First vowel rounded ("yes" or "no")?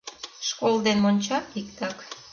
yes